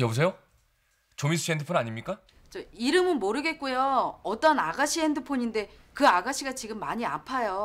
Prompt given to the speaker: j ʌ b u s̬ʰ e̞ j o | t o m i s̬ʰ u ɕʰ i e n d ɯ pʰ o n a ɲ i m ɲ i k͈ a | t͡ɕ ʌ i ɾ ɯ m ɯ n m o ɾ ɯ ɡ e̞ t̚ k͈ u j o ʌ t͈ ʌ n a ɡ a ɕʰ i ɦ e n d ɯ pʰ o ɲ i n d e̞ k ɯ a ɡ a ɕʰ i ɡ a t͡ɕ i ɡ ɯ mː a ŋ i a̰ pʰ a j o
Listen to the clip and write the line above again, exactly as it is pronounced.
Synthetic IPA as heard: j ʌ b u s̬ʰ e̞ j o | t͡ɕ o m i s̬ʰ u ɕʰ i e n d ɯ pʰ o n a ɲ i m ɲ i k͈ a | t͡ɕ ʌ i ɾ ɯ m ɯ n m o ɾ ɯ ɡ e̞ t̚ k͈ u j o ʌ t͈ ʌ n a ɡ a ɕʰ i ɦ e n d ɯ pʰ o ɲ i n d e̞ k ɯ a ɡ a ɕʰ i ɡ a t͡ɕ i ɡ ɯ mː a ɲ i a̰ pʰ a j o